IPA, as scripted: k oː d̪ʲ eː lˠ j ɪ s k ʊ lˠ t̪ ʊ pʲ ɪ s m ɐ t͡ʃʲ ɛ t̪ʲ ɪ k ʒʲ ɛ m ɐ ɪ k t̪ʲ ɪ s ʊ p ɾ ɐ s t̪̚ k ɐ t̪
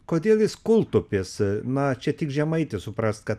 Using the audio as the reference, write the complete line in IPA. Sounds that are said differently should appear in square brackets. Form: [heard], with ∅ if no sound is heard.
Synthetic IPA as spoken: k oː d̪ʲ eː lˠ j ɪ s k ʊ lˠ t̪ ʊ pʲ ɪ s [n] ɐ t͡ʃʲ ɛ t̪ʲ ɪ k ʒʲ ɛ m ɐ ɪ [∅] t̪ʲ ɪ s ʊ p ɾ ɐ s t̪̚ k ɐ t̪